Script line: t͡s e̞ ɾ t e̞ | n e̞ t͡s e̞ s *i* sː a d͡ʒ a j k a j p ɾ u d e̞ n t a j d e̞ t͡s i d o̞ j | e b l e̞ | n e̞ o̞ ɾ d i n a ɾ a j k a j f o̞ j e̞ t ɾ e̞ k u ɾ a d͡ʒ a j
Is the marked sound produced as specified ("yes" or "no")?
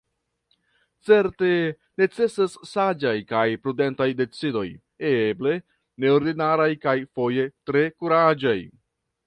no